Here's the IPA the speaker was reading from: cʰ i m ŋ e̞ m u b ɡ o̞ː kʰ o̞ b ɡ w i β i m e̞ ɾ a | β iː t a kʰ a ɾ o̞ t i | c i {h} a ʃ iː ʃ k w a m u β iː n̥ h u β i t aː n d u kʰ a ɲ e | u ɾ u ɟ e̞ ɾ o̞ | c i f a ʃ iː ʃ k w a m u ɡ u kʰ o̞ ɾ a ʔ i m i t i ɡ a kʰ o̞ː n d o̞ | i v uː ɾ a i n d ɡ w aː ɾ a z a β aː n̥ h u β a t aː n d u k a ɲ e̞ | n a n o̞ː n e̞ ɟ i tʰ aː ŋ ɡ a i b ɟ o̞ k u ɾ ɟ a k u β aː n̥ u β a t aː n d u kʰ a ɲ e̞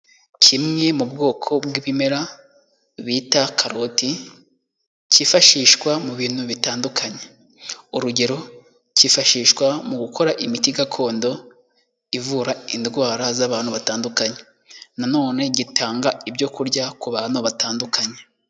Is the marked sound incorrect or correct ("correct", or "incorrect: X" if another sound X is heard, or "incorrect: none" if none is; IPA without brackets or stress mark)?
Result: incorrect: f